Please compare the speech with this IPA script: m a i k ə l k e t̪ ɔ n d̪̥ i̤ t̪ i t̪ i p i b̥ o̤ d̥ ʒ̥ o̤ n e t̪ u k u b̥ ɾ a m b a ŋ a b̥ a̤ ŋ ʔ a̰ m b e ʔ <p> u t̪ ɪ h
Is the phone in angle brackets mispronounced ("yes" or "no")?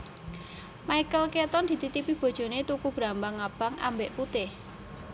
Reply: no